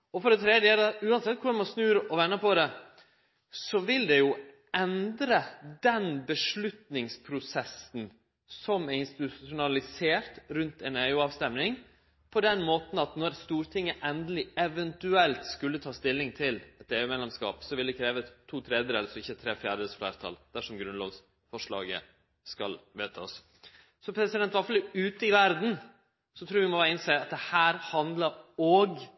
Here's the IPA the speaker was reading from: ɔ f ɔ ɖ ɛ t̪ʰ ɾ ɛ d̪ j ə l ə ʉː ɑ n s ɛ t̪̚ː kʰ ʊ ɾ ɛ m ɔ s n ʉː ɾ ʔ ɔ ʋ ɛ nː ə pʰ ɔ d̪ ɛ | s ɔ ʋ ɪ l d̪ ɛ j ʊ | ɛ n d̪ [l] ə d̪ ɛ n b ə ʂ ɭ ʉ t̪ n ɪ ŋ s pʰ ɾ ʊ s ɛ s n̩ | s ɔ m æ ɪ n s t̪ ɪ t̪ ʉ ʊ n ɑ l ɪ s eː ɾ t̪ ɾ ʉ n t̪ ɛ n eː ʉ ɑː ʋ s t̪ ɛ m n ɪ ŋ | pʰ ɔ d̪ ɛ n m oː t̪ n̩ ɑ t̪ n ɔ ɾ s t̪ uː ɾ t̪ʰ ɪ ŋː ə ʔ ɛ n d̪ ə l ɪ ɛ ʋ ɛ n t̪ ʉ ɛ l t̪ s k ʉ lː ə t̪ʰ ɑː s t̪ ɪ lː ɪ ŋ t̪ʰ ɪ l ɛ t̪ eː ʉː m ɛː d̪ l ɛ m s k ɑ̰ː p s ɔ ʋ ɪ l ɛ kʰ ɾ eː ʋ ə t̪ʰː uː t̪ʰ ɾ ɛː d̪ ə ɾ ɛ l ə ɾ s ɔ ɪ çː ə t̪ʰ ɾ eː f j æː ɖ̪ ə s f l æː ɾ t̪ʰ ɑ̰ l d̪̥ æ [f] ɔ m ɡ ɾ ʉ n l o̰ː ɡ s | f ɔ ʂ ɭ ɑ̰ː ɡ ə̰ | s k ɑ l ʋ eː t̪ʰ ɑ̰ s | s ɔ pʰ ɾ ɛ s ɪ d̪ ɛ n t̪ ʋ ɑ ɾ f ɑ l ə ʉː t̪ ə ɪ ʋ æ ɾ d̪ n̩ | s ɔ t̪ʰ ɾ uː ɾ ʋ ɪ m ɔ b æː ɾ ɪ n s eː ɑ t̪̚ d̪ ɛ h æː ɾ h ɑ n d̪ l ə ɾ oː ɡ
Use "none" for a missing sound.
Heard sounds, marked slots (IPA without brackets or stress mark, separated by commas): ɾ, ʂ